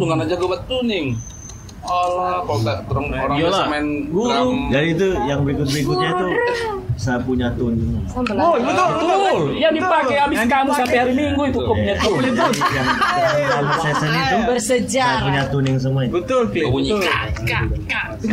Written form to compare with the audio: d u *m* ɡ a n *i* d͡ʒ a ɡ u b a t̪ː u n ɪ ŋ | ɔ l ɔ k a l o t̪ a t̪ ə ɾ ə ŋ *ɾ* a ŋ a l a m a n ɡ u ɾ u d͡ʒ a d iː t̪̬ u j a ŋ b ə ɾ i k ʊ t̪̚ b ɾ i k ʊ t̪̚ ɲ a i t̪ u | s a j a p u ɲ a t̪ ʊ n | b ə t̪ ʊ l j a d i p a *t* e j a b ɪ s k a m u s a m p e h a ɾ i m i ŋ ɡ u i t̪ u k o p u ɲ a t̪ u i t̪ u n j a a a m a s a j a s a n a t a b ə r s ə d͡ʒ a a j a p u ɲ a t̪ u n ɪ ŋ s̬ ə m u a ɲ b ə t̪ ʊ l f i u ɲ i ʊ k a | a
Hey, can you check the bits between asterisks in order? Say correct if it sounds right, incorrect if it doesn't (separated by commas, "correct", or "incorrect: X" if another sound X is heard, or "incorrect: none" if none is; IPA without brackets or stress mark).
incorrect: ŋ, incorrect: a, correct, incorrect: k